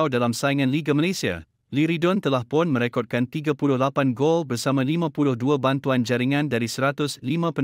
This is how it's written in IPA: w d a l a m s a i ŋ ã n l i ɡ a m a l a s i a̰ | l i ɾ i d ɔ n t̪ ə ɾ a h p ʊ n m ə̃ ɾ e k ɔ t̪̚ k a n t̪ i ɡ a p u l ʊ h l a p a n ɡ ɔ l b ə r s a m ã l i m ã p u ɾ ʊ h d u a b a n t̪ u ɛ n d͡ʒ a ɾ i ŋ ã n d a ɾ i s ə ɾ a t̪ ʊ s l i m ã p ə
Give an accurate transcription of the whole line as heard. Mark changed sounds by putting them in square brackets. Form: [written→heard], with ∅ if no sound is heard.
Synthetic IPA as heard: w d a l a m s a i ŋ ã n l i ɡ a m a l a s i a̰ | l i ɾ i d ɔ n t̪ ə [ɾ→l] a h p ʊ n m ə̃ ɾ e k ɔ t̪̚ k a n t̪ i ɡ a p u l ʊ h l a p a n ɡ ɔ l b ə r s a m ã l i m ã p u [ɾ→l] ʊ h d u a b a n t̪ u [ɛ→a] n d͡ʒ a ɾ i ŋ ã n d a ɾ i s ə ɾ a t̪ ʊ s l i m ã p ə